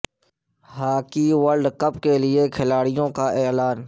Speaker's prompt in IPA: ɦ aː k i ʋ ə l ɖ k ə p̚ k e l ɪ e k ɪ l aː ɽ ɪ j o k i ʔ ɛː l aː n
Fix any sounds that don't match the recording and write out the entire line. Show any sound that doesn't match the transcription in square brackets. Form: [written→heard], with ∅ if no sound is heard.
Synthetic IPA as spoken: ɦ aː k i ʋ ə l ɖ k ə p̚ k e l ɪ e [k→kʰ] ɪ l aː ɽ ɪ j [o→õ] k [i→a] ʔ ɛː l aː n